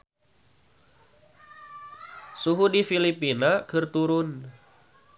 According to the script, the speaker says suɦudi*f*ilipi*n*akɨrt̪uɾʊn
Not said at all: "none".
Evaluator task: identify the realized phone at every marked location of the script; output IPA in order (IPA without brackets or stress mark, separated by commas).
f, n